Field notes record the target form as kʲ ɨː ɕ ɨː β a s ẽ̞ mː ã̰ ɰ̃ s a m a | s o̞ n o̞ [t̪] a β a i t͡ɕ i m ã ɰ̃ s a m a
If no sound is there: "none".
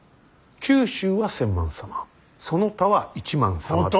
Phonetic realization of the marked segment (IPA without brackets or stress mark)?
t̪